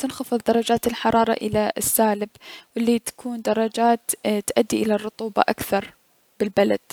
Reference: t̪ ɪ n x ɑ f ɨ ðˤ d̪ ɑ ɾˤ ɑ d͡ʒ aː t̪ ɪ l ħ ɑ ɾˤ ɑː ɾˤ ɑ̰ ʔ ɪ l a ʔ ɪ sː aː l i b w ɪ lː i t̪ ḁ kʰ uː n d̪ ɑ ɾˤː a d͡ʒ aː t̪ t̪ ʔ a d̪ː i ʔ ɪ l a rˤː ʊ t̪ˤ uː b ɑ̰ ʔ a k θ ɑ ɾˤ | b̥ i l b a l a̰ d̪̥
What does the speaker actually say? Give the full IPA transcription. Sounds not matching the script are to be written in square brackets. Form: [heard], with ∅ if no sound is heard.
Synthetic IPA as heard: t̪ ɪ n x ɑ f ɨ ðˤ d̪ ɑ ɾˤ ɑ d͡ʒ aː t̪ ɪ l ħ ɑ ɾˤ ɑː ɾˤ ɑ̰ ʔ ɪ l a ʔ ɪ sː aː l [ɪ] b w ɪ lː i t̪ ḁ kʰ uː n d̪ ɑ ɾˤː [ɑ] d͡ʒ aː t̪ t̪ ʔ a d̪ː i ʔ ɪ l a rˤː ʊ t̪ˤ uː b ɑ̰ ʔ a k θ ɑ ɾˤ | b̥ [ɪ] l b a l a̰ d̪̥